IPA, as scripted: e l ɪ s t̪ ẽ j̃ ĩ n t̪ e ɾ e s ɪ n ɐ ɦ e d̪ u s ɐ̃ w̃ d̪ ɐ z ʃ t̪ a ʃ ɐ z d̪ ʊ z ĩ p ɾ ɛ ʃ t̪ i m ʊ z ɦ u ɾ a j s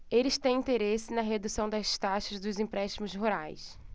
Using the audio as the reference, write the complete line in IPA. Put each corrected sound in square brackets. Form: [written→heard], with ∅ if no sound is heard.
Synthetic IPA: e l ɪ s t̪ ẽ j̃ ĩ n t̪ e ɾ e s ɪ n ɐ ɦ e d̪ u s ɐ̃ w̃ d̪ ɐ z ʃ t̪ a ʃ ɐ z d̪ ʊ z ĩ p ɾ ɛ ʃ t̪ i m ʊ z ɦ u ɾ a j s